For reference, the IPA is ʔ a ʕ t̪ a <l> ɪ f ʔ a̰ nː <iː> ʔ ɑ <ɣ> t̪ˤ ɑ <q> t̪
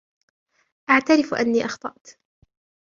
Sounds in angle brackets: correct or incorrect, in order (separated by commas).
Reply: incorrect, correct, incorrect, incorrect